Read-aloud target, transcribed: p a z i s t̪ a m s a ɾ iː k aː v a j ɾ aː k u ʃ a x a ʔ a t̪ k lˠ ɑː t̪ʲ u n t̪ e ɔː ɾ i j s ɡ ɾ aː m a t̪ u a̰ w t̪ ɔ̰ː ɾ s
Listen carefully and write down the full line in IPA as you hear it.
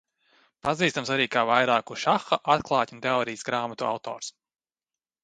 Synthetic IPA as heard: p a z iː s t̪ a m s a ɾ iː k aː v a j ɾ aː k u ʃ a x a ʔ a t̪ k lˠ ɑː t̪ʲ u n t̪ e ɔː ɾ i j s ɡ ɾ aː m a t̪ u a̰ w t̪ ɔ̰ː ɾ s